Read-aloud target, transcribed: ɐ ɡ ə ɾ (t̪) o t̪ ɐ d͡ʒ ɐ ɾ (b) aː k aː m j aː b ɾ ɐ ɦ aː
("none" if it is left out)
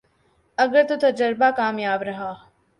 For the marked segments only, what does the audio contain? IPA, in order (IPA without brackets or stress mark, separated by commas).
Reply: t̪, b